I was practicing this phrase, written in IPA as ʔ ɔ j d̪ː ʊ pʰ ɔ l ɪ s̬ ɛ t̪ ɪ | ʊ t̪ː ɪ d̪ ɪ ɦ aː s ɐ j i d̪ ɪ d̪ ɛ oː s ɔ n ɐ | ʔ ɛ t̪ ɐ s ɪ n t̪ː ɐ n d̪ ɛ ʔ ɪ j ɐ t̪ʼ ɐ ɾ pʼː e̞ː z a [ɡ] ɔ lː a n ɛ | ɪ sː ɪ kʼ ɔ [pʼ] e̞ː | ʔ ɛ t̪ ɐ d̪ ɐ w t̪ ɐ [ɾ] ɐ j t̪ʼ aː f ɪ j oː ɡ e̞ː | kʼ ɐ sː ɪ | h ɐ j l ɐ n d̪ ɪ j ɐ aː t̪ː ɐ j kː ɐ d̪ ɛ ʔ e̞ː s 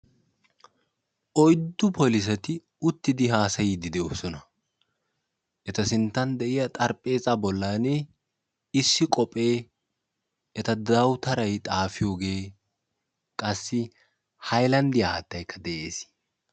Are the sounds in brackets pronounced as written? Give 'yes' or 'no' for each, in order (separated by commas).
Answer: no, yes, yes